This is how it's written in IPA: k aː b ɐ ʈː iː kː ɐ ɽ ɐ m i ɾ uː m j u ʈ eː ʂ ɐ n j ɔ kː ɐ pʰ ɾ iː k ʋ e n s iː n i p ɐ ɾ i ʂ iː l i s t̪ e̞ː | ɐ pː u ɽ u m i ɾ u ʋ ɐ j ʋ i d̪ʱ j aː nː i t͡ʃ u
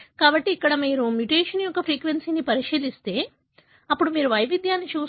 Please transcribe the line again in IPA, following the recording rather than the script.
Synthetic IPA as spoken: k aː b ɐ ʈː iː kː ɐ ɽ ɐ m iː ɾ u m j u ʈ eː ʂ ɐ n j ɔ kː ɐ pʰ ɾ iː k ʋ e n s iː n i p ɐ ɾ i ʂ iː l i s t̪ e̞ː | ɐ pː u ɽ u m iː ɾ u ʋ ɐ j ʋ i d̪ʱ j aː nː i t͡ʃ uː